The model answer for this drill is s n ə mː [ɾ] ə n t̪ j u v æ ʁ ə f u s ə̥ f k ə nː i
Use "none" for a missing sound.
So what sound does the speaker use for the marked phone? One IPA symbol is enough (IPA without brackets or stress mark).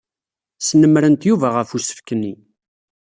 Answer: ɾ